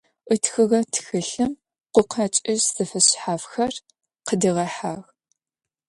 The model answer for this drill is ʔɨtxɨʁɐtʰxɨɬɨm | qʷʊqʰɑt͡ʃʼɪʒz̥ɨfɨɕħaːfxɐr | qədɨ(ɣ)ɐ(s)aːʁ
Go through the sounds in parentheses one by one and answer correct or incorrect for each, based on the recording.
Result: incorrect: ʁ, incorrect: ħ

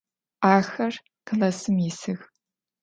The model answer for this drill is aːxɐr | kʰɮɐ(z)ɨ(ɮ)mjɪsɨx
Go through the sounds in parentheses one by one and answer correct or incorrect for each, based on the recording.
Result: incorrect: s, incorrect: none

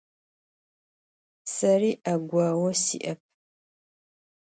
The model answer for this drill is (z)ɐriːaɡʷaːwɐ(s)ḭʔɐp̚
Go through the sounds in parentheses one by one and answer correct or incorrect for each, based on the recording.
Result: incorrect: s, correct

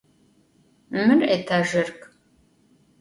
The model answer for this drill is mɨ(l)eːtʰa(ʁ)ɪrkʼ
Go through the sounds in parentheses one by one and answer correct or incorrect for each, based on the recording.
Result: incorrect: r, incorrect: ʒ

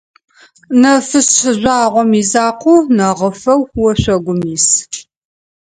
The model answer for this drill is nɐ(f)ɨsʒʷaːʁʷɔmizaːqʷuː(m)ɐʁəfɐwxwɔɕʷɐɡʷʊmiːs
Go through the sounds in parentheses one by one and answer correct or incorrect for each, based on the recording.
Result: correct, incorrect: n

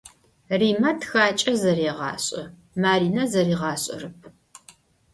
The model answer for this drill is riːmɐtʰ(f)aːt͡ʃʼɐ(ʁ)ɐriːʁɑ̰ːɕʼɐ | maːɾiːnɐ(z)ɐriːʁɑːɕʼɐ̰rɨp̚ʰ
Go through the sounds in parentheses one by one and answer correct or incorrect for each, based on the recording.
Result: incorrect: x, incorrect: z, correct

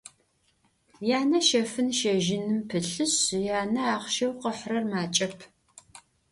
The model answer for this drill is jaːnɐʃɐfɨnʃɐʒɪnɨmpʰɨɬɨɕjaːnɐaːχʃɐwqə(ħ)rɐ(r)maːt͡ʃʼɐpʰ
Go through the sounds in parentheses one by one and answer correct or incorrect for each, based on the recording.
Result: correct, correct

